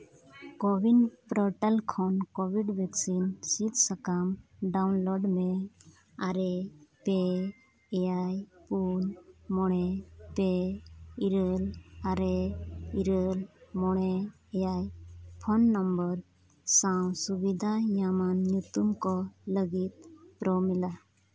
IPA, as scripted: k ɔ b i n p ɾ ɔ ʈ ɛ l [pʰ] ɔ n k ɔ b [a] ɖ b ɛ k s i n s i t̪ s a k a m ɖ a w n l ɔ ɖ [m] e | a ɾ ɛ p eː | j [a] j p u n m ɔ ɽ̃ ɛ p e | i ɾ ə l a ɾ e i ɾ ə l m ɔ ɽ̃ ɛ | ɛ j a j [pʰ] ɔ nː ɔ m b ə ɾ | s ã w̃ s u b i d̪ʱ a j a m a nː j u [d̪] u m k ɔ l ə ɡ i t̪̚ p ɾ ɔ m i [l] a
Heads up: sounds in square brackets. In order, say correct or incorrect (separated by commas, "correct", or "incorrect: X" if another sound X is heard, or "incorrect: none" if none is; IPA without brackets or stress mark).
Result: incorrect: kʰ, incorrect: i, correct, correct, correct, incorrect: t̪, correct